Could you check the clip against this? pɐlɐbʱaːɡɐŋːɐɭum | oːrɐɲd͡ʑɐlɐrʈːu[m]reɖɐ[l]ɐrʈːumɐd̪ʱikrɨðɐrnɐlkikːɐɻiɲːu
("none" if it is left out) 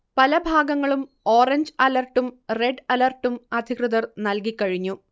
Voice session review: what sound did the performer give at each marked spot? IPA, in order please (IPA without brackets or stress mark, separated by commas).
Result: m, l